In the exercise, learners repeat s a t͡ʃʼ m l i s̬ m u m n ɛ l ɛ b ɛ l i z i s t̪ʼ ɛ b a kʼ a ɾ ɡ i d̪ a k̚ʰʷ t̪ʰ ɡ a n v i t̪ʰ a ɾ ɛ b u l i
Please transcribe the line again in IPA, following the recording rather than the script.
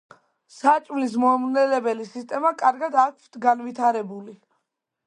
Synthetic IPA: s a t͡ʃʼ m l i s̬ m ɔ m n ɛ l ɛ b ɛ l i s i s t̪ʼ ɛ m a kʼ a ɾ ɡ a d̪ a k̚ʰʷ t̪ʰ ɡ a n v i t̪ʰ a ɾ ɛ b u l i